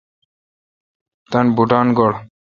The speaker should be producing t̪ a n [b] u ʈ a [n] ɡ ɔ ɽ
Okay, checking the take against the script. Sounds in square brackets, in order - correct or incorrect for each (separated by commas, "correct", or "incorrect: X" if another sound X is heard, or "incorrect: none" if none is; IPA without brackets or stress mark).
correct, correct